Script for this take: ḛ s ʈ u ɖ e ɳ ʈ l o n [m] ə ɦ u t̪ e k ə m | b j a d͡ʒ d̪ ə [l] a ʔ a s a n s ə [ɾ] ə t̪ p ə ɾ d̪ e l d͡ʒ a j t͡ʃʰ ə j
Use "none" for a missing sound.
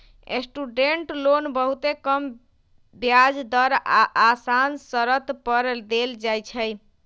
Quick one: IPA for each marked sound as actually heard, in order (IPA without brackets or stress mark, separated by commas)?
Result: b, ɾ, ɾ